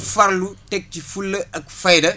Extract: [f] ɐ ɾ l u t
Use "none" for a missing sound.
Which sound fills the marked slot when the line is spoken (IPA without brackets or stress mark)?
f